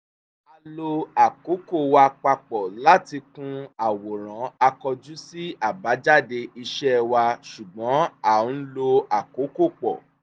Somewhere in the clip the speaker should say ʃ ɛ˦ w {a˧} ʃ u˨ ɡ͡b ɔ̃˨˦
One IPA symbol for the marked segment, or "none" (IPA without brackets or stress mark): a˧